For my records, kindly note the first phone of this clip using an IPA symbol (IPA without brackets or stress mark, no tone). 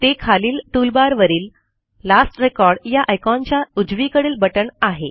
t̪